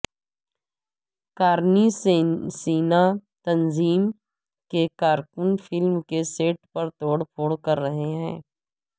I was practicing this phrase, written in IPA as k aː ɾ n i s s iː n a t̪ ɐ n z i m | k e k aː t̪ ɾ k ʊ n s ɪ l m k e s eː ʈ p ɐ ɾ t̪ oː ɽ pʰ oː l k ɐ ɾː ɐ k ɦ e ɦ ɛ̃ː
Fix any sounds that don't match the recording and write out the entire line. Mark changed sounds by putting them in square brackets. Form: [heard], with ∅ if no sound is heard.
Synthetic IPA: k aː ɾ n i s s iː n a t̪ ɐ n z [iː] m | k e k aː [∅] ɾ k ʊ n [f] ɪ l m k e s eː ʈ p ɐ ɾ t̪ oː ɽ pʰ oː [ɽ] k ɐ ɾː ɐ [∅] ɦ e ɦ ɛ̃ː